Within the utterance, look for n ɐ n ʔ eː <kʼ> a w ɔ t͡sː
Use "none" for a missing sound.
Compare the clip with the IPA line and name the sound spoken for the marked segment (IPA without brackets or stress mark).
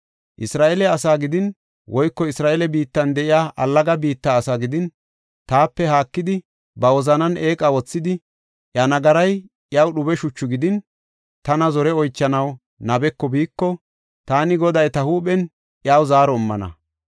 kʼ